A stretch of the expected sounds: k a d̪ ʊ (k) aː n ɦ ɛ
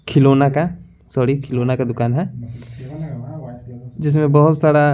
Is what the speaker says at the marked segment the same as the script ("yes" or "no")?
yes